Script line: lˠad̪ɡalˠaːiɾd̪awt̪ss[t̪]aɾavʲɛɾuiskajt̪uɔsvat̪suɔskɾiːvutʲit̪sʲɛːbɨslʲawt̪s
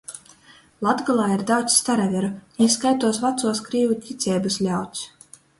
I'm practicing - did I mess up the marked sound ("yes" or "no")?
no